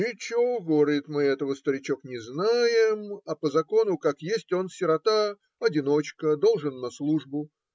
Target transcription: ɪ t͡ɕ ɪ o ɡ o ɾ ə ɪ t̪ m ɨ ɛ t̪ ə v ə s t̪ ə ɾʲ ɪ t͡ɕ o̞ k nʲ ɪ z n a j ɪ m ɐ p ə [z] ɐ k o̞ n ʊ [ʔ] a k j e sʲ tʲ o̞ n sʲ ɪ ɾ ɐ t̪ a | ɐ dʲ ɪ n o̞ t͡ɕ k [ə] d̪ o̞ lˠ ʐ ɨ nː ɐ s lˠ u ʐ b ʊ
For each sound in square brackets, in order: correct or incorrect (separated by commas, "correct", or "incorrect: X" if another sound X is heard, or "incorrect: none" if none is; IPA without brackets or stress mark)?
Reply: correct, incorrect: k, correct